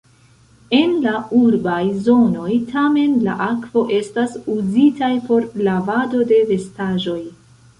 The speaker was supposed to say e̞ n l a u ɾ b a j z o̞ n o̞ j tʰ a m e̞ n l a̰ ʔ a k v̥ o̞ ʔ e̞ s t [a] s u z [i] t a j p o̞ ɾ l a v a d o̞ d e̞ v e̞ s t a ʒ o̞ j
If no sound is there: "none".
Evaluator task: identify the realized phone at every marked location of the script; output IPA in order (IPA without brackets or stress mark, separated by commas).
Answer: a, i